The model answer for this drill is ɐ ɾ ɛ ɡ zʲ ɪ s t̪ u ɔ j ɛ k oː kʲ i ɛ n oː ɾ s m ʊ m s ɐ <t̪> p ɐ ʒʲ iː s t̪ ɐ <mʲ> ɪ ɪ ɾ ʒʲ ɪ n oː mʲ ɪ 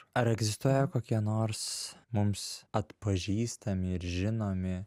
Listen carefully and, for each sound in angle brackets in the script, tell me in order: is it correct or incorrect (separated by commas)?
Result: correct, correct